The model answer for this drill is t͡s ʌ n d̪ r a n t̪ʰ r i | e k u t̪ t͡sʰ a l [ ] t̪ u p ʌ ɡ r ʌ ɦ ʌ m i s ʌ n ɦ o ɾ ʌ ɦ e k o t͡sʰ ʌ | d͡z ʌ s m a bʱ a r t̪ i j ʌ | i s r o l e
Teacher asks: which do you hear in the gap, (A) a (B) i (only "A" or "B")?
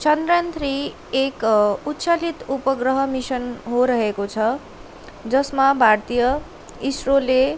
B